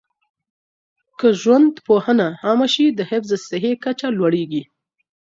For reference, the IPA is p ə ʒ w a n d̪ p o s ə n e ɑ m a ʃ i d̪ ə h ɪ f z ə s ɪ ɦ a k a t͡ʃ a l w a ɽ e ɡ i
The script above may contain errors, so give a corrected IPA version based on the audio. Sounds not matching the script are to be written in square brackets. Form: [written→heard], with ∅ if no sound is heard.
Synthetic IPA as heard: [p→k] ə ʒ w a n d̪ p o [s→h] ə n [e→a] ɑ m a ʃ i d̪ ə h ɪ f z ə s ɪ ɦ [a→e] k a t͡ʃ a l w a ɽ e ɡ i